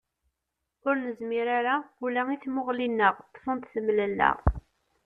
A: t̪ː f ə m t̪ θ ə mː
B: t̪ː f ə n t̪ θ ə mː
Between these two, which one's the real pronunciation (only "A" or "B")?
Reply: B